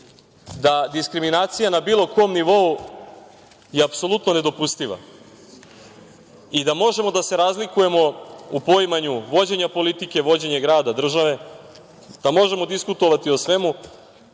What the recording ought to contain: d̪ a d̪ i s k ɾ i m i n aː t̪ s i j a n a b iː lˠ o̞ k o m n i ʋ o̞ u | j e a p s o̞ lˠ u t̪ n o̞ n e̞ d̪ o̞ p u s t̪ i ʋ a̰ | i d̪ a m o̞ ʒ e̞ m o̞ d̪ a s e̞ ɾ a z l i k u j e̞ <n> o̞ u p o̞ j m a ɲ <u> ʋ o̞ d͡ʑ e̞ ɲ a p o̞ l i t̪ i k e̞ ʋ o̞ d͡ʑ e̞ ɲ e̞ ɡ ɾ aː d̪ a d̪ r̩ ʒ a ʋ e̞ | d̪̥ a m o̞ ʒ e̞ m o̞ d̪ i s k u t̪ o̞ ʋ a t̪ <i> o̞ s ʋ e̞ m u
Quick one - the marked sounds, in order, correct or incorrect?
incorrect: m, correct, correct

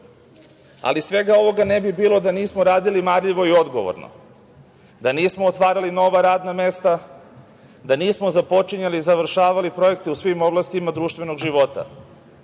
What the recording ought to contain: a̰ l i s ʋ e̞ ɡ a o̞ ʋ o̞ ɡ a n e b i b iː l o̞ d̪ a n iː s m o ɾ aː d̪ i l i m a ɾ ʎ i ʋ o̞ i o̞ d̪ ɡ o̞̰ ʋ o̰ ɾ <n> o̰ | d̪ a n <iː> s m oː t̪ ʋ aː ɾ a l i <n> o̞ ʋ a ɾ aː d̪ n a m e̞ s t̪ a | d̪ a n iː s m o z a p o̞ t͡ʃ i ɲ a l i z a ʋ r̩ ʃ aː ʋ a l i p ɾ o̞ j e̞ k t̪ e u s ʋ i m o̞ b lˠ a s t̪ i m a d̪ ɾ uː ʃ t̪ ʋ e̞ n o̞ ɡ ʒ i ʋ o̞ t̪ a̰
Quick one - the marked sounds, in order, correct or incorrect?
correct, correct, correct

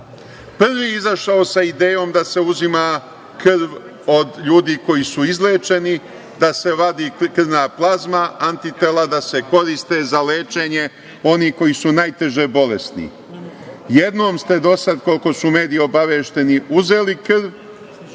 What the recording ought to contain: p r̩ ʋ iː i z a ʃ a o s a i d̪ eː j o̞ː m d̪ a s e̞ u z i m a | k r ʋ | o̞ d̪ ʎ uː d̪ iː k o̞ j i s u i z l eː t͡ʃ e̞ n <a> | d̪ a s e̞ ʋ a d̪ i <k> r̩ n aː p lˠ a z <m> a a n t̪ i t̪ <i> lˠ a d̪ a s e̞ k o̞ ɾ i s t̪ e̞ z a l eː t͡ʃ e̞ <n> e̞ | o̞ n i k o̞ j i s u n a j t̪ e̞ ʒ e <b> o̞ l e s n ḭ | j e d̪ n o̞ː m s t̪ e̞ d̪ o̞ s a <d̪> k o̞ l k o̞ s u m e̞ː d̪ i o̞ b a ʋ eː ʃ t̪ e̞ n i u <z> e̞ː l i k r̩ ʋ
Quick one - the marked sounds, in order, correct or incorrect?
incorrect: i, correct, correct, incorrect: e, incorrect: ɲ, correct, correct, correct

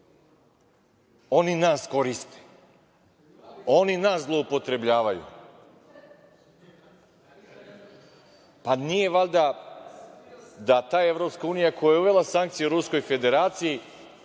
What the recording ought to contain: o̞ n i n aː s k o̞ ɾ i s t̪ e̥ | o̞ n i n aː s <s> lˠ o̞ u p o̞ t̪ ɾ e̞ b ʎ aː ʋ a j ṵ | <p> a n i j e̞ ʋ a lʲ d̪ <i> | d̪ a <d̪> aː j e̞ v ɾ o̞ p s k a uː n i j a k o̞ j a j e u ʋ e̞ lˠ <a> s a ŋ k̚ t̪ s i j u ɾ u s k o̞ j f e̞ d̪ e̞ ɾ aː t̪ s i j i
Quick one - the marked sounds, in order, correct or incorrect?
incorrect: z, correct, incorrect: a, incorrect: t̪, correct

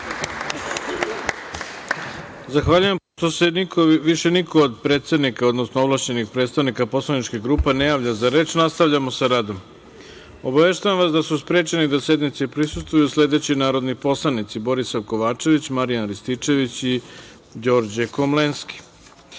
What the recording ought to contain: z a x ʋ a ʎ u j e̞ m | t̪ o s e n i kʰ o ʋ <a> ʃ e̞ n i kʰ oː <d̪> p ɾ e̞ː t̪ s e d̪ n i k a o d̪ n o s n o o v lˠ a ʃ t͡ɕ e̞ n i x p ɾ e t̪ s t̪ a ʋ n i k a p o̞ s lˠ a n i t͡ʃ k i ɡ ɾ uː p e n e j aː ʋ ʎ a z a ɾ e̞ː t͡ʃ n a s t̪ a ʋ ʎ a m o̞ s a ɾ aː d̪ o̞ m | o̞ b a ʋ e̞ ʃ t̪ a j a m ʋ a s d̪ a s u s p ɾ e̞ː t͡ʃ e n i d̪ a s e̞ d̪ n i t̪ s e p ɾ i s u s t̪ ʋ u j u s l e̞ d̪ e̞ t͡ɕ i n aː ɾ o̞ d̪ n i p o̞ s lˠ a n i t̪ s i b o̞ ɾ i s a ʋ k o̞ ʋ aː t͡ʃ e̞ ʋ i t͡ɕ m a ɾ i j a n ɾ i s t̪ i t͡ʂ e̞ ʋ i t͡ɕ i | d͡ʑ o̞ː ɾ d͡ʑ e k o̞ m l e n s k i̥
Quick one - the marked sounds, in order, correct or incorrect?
incorrect: i, correct

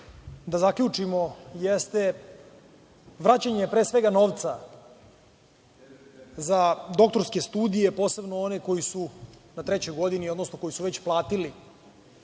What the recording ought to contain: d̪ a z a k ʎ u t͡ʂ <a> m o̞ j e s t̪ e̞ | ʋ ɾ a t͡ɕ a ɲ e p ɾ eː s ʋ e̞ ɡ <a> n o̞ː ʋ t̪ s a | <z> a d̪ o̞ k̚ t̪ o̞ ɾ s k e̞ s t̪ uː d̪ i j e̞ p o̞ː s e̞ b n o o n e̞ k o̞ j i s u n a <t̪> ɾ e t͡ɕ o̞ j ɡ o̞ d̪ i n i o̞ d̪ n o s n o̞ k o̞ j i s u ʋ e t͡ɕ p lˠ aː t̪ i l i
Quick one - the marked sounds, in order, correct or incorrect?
incorrect: i, correct, correct, correct

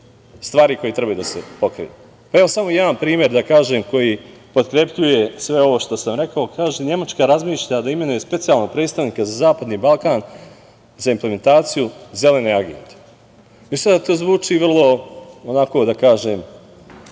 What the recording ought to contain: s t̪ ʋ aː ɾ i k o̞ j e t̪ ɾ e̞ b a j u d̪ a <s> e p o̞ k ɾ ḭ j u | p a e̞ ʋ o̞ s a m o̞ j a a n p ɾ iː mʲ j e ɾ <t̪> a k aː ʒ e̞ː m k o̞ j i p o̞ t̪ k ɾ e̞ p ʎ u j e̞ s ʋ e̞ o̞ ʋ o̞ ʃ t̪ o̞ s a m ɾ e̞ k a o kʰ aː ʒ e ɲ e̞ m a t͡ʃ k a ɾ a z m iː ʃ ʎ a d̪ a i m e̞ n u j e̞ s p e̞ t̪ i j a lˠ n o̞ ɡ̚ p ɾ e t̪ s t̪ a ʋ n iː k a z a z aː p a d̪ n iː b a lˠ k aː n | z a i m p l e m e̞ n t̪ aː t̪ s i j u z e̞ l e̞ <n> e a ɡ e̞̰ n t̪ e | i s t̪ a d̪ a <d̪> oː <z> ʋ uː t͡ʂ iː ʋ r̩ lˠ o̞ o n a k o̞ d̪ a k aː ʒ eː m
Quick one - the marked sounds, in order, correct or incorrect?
correct, incorrect: d̪, correct, incorrect: t̪, correct

